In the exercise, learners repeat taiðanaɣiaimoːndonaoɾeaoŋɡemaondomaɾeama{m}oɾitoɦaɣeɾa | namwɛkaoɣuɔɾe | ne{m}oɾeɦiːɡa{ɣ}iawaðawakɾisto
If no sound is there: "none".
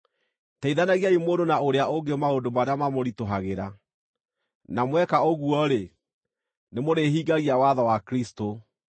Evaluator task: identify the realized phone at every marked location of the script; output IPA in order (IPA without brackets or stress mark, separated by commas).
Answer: m, m, ɣ